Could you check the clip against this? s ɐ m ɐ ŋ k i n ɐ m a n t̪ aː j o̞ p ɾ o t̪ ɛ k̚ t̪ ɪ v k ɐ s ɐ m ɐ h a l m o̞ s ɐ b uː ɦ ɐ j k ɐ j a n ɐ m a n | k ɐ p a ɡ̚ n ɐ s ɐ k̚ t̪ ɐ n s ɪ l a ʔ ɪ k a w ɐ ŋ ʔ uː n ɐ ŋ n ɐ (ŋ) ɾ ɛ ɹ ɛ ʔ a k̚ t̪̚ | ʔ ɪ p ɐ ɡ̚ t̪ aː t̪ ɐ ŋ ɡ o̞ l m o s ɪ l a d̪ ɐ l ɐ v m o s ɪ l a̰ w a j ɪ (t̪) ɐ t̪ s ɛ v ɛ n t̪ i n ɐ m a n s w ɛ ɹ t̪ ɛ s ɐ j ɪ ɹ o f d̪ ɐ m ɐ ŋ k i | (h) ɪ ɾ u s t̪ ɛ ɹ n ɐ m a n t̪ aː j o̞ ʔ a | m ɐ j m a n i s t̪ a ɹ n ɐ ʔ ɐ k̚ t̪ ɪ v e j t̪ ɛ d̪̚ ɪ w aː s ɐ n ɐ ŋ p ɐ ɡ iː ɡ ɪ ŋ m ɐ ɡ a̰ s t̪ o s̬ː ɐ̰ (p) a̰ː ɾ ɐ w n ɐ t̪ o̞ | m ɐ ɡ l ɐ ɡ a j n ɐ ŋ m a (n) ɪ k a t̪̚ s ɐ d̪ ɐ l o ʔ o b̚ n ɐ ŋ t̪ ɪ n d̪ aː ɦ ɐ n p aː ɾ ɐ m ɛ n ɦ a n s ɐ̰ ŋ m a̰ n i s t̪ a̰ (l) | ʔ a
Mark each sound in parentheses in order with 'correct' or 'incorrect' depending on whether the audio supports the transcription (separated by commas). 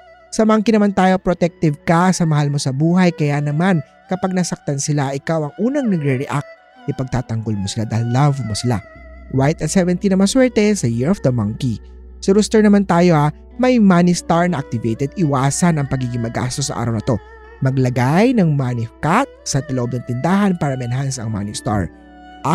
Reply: incorrect, correct, incorrect, incorrect, correct, incorrect